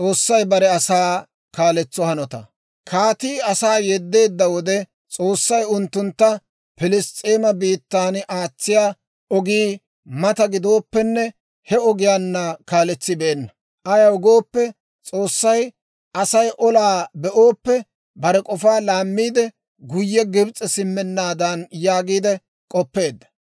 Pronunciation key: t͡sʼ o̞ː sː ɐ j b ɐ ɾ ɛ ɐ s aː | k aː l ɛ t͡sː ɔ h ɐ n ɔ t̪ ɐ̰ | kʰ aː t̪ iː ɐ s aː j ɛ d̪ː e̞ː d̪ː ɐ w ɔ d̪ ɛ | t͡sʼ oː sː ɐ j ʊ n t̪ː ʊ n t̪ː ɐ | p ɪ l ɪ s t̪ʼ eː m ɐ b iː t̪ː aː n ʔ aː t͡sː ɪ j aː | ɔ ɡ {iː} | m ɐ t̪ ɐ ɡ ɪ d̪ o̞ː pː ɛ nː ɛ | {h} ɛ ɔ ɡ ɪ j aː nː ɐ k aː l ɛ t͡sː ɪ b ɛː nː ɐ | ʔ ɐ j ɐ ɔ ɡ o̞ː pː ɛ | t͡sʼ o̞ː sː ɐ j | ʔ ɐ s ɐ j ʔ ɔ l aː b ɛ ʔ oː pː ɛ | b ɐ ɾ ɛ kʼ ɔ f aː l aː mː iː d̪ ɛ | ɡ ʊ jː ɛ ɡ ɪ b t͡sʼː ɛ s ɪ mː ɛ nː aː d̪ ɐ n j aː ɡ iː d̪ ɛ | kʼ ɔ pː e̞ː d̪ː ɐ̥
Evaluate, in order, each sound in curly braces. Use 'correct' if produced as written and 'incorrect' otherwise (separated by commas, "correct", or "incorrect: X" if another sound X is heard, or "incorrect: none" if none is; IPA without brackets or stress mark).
correct, correct